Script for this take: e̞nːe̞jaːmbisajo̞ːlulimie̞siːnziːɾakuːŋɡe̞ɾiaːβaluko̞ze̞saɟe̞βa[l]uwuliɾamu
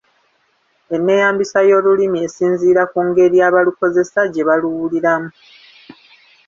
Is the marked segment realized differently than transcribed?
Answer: no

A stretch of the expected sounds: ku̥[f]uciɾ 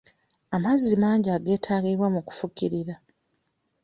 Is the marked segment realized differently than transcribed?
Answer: no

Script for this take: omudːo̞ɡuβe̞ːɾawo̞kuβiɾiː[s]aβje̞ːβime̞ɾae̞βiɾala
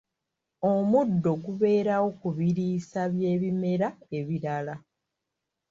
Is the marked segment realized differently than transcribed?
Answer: no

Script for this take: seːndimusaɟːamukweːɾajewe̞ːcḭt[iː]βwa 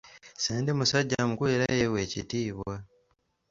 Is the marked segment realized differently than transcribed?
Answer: no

